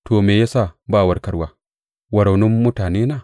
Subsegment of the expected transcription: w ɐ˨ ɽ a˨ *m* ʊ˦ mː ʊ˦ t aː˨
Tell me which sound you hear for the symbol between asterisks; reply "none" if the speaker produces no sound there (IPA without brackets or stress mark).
n